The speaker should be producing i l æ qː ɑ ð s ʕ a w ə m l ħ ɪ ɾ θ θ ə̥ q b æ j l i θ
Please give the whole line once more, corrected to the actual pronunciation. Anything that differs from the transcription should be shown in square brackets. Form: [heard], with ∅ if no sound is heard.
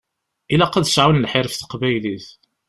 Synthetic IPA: i l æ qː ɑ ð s ʕ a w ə [n] l ħ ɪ ɾ [f] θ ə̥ q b æ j l i θ